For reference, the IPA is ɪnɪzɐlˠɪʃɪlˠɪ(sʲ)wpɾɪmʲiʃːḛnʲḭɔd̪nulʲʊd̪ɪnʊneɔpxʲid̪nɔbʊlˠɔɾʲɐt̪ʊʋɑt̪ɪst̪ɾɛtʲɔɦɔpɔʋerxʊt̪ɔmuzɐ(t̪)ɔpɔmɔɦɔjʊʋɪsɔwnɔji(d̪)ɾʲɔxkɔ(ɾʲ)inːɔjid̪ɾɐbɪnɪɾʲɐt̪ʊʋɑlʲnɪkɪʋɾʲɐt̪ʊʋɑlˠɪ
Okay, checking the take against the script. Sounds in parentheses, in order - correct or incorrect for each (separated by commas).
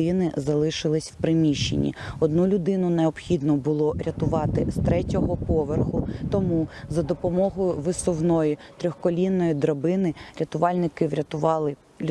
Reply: correct, incorrect, incorrect, incorrect